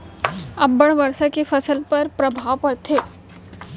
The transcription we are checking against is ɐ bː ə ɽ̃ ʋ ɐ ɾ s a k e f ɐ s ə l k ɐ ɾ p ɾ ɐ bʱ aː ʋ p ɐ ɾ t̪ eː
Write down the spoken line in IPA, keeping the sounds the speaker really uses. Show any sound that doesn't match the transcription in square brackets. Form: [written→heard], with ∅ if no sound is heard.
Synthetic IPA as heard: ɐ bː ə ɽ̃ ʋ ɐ ɾ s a k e f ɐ s ə l [k→p] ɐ ɾ p ɾ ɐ bʱ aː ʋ p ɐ ɾ [t̪→t̪ʰ] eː